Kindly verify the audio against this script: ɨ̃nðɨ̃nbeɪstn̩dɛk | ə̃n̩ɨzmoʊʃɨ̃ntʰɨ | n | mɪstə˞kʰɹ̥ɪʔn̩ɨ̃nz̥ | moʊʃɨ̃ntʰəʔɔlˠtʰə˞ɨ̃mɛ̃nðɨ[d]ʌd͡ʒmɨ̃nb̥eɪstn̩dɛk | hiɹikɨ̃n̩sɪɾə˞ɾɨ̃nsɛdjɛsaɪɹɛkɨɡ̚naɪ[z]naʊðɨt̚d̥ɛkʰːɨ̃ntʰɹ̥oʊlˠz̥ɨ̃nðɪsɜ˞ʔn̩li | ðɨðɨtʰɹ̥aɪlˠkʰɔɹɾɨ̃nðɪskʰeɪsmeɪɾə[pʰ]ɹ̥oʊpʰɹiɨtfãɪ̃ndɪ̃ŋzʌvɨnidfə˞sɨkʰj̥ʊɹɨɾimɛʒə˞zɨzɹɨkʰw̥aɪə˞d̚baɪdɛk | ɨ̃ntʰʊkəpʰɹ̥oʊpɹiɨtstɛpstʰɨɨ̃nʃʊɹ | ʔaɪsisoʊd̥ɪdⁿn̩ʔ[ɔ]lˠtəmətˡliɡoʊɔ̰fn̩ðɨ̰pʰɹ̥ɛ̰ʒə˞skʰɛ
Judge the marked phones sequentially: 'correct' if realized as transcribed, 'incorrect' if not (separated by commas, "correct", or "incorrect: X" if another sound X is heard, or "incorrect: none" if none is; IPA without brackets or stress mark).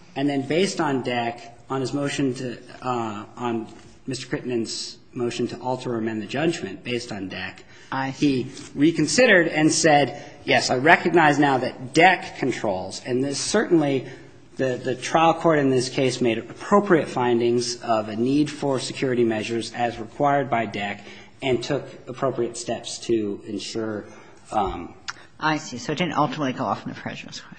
incorrect: d͡ʒ, correct, correct, incorrect: ʌ